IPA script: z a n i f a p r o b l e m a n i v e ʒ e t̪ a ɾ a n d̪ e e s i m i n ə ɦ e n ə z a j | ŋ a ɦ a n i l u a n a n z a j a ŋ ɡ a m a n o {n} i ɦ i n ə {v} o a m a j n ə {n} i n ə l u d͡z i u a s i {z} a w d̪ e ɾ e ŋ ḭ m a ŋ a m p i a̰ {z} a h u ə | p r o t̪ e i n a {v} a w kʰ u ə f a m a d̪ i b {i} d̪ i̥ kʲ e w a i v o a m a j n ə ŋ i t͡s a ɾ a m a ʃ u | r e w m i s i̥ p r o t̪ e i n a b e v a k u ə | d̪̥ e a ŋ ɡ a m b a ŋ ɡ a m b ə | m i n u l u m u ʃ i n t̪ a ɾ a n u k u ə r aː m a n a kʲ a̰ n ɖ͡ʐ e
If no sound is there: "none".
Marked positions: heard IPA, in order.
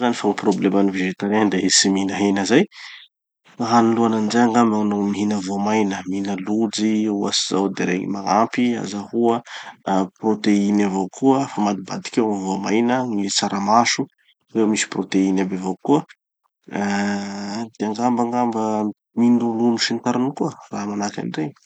m, v, m, z, z, v, a

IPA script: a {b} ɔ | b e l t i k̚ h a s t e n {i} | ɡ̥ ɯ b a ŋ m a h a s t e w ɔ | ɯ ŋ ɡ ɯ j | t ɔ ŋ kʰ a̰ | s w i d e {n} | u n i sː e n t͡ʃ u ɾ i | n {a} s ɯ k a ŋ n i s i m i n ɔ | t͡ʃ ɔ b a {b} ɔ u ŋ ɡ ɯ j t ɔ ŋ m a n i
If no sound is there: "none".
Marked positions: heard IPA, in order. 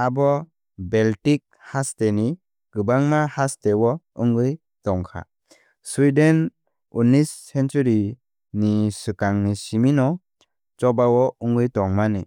b, i, n, i, w

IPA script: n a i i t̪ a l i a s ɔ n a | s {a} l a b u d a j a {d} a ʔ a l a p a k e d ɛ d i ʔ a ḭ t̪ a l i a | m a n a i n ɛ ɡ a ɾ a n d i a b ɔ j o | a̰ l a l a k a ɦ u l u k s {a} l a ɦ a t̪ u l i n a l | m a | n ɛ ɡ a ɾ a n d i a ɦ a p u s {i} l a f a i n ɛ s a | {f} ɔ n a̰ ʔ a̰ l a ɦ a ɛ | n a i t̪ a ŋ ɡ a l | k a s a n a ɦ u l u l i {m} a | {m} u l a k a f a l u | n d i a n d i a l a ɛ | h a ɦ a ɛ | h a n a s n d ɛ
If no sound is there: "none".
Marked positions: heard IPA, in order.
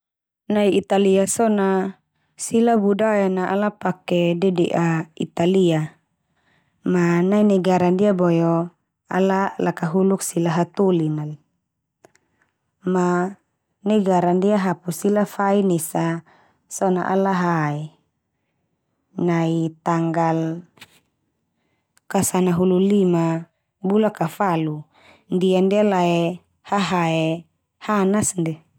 i, n, i, i, s, m, b

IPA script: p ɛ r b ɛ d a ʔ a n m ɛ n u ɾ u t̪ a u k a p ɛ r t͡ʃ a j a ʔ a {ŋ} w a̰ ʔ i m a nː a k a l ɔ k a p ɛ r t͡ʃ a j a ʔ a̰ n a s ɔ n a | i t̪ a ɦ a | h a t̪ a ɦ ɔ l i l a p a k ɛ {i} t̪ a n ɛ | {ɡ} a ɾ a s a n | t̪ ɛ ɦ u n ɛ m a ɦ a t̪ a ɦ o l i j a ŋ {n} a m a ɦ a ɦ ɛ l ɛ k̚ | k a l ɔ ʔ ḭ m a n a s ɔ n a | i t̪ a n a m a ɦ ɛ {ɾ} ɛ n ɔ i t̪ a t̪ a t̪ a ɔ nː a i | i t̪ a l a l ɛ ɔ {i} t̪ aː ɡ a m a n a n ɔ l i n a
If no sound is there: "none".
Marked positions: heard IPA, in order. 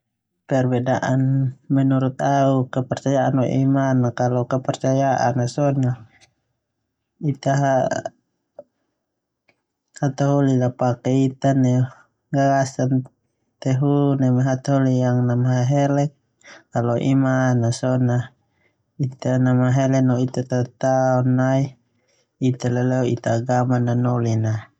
n, i, ɡ, n, l, i

